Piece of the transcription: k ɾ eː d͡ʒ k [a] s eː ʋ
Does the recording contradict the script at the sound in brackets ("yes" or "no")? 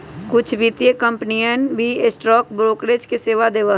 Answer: yes